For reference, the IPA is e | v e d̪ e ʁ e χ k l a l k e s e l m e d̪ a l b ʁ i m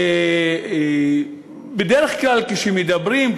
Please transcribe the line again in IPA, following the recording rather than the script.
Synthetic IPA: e | b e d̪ e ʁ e χ k l a l k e ʃ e m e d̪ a b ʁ i m